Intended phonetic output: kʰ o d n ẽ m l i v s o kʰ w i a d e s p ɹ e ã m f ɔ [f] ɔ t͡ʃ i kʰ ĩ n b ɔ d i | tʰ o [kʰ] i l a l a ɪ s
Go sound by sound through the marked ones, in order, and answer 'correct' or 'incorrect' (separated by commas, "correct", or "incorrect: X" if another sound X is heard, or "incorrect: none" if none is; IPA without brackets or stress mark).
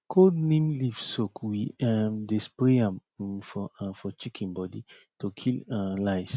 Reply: correct, correct